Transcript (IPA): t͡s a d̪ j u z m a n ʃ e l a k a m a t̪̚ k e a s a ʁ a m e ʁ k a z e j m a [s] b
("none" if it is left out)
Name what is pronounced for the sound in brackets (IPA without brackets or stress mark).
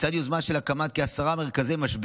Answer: ʃ